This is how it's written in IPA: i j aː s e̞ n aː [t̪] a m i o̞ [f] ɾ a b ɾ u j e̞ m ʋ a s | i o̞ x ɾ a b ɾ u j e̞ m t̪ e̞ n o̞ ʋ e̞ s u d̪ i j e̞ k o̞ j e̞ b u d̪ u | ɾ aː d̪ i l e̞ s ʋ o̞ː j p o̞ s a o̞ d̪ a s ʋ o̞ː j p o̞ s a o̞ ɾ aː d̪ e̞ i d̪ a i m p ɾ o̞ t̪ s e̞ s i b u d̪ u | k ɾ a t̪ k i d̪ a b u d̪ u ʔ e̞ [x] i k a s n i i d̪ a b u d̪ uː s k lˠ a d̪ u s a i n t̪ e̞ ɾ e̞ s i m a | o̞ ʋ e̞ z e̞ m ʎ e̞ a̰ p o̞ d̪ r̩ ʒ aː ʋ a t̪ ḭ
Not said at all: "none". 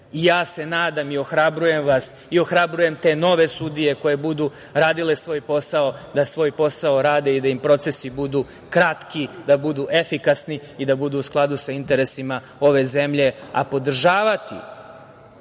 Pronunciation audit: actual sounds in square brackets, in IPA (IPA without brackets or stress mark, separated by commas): d̪, x, f